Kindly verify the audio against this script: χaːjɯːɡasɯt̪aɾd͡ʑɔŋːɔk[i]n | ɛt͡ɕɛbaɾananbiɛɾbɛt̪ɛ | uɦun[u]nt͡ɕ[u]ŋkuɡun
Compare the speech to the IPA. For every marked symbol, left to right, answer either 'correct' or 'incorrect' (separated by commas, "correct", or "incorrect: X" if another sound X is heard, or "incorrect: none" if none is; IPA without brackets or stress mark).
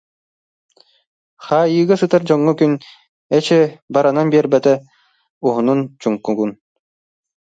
incorrect: y, correct, correct